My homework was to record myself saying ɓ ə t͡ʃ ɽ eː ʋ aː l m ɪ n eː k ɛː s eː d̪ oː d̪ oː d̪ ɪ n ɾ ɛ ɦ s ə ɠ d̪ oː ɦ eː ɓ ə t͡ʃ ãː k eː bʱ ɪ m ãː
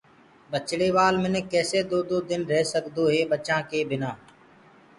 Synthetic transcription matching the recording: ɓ ə t͡ʃ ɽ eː ʋ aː l m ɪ n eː k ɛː s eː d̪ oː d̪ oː d̪ ɪ n ɾ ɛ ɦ s ə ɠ d̪ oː ɦ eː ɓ ə t͡ʃ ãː k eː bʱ ɪ n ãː